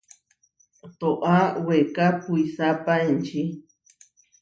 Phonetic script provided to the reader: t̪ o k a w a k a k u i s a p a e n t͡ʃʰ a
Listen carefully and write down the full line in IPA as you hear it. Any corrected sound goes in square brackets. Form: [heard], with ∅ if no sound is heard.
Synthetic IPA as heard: t̪ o [ʔ] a w [e] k a [p] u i s a p a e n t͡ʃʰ [i]